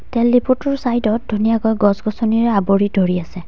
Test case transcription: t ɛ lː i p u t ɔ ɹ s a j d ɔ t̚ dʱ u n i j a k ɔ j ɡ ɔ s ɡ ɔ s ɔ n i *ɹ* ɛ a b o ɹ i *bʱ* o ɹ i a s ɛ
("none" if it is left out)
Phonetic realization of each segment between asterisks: ɹ, dʱ

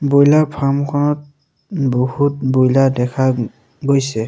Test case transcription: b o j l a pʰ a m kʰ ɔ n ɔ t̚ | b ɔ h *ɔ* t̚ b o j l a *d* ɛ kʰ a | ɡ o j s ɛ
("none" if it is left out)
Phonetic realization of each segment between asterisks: u, d

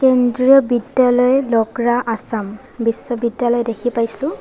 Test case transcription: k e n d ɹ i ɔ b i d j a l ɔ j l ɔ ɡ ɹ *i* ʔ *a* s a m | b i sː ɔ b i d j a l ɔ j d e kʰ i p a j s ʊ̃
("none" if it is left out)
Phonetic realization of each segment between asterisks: a, a

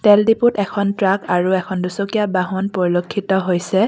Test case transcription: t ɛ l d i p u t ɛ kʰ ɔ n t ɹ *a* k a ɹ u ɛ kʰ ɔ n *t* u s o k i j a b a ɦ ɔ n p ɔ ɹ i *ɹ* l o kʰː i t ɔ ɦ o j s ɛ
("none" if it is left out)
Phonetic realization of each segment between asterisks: a, d, none

